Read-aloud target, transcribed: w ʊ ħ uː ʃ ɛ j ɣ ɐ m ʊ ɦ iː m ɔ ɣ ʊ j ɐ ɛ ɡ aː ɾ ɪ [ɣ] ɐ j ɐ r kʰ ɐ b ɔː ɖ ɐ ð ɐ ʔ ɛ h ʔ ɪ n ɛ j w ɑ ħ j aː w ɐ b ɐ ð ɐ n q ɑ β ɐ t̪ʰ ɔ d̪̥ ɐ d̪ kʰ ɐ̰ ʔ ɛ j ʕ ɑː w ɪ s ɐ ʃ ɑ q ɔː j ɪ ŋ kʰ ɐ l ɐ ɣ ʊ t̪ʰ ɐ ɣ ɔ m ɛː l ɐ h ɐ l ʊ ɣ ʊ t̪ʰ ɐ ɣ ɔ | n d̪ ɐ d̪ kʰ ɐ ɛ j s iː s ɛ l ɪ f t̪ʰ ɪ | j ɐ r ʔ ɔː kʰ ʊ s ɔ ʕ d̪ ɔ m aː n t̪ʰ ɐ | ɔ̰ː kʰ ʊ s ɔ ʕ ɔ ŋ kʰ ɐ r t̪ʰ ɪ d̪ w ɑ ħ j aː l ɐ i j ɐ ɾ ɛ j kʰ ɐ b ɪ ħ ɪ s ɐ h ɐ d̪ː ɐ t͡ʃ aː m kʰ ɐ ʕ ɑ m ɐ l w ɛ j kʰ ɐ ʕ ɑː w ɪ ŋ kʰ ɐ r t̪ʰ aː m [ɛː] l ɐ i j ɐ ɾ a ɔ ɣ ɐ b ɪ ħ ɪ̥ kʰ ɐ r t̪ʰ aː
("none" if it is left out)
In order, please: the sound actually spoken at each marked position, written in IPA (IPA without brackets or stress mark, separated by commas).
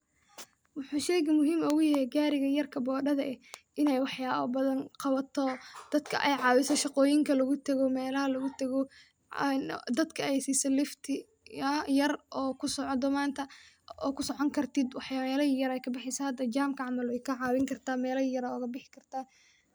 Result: ɣ, ɛː